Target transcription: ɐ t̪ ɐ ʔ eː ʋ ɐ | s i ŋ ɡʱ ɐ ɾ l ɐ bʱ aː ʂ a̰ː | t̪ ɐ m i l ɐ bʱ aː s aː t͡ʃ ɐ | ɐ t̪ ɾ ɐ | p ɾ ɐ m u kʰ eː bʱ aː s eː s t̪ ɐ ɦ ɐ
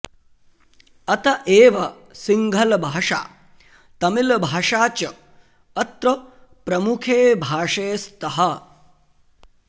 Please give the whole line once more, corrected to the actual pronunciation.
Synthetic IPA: ɐ t̪ ɐ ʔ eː ʋ ɐ | s i ŋ ɡʱ ɐ l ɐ bʱ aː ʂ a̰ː | t̪ ɐ m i l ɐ bʱ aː ʂ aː t͡ʃ ɐ | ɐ t̪ ɾ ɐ | p ɾ ɐ m u kʰ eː bʱ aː ʂ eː s t̪ ɐ ɦ ɐ

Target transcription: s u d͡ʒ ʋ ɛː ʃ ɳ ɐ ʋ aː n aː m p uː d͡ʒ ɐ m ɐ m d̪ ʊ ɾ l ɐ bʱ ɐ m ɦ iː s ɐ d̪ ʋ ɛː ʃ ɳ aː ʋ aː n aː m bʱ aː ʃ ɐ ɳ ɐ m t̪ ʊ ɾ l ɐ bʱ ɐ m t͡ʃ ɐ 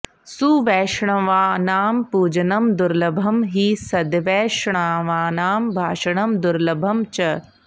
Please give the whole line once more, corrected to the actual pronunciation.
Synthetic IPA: s u ʋ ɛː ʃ ɳ ɐ ʋ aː n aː m p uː d͡ʒ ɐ n ɐ m d̪ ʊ ɾ l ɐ bʱ ɐ m ɦ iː s ɐ d̪ ʋ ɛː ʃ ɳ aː ʋ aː n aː m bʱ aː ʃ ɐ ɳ ɐ m d̪ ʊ ɾ l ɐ bʱ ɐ m t͡ʃ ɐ

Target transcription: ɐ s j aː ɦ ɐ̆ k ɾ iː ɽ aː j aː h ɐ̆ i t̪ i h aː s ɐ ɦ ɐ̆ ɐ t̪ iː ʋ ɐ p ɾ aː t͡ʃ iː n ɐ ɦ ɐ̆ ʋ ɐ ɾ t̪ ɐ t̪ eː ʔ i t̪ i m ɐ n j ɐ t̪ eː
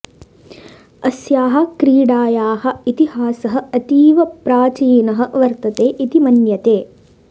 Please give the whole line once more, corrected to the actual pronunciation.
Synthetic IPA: ɐ s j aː ɦ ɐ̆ k ɾ iː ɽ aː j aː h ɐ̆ i t̪ i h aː s ɐ ɦ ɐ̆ ɐ t̪ iː ʋ ɐ p ɾ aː t͡ʃ iː n ɐ ɦ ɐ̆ ʋ ɐ ɾ t̪ ɐ t̪ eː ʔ i t̪ i m ɐ n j ɐ t̪ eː

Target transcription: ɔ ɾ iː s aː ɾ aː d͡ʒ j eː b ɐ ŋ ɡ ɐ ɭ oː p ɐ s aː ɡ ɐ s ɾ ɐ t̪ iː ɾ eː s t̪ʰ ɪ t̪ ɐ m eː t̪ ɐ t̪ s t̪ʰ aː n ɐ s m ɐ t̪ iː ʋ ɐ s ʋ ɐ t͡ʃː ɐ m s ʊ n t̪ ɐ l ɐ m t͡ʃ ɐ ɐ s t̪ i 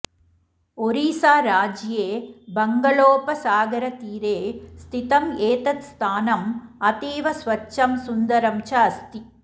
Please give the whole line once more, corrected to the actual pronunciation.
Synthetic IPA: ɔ ɾ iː s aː ɾ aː d͡ʒ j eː b ɐ ŋ ɡ ɐ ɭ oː p ɐ s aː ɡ ɐ ɾ ɐ t̪ iː ɾ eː s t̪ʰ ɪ t̪ ɐ m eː t̪ ɐ t̪ s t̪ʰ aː n ɐ m ɐ t̪ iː ʋ ɐ s ʋ ɐ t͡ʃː ɐ m s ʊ n d̪ ɐ ɾ ɐ m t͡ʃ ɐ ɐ s t̪ i

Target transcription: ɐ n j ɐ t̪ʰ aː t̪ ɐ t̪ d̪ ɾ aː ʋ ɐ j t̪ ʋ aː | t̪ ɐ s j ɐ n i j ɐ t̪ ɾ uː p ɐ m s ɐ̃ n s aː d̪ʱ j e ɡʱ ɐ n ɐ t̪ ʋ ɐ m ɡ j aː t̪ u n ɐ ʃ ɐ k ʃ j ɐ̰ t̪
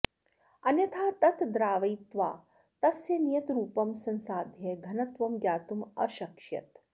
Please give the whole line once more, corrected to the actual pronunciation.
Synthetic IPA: ɐ n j ɐ t̪ʰ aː t̪ ɐ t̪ d̪ ɾ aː ʋ ɐ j t̪ ʋ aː | t̪ ɐ s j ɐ n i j ɐ t̪ ɾ uː p ɐ m s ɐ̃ n s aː d̪ʱ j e ɡʱ ɐ n ɐ t̪ ʋ ɐ m ɡ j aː t̪ u m ɐ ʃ ɐ k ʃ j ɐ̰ t̪

